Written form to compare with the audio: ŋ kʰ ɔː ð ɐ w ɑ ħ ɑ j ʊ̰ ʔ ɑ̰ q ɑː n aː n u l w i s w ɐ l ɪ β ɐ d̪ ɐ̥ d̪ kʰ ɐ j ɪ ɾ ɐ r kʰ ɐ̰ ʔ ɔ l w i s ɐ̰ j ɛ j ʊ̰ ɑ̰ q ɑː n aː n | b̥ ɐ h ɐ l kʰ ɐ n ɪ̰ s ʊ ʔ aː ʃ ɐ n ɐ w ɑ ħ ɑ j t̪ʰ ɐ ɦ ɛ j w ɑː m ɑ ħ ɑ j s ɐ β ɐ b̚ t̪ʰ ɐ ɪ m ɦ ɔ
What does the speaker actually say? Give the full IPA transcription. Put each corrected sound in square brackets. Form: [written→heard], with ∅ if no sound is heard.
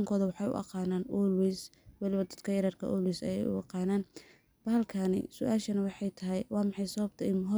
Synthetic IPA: ŋ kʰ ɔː ð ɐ w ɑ ħ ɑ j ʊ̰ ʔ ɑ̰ q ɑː n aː n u l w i s w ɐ l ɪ β ɐ d̪ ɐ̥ d̪ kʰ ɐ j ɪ ɾ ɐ r kʰ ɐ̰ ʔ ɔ l w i s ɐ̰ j ɛ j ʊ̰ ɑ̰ q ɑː n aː n | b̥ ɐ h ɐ l kʰ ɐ n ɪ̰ s ʊ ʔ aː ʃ ɐ n ɐ w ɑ ħ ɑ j t̪ʰ ɐ ɦ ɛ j w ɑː m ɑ ħ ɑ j s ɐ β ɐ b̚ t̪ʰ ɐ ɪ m ɦ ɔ